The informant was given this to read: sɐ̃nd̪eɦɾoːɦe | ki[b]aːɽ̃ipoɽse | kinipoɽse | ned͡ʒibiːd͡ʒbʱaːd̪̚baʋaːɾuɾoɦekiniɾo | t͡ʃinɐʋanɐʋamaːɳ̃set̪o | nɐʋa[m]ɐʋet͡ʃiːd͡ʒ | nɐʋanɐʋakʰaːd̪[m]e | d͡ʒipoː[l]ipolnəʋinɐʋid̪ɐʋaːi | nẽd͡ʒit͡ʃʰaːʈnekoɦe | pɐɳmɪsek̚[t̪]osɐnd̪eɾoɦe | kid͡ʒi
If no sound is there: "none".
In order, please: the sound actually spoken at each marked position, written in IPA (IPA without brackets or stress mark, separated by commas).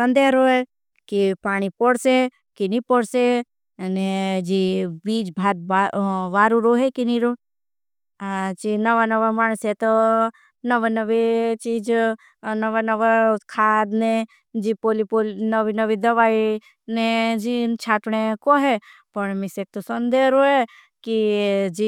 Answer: p, n, n, l, t̪